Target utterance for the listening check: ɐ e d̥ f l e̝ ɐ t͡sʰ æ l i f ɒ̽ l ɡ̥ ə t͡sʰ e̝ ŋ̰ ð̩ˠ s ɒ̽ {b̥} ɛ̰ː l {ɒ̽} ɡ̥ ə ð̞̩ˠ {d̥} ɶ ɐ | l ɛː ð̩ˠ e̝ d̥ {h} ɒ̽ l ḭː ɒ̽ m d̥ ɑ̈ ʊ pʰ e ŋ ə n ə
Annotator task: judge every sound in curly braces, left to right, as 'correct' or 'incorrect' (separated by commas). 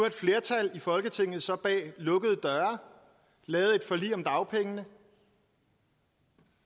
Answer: correct, incorrect, correct, incorrect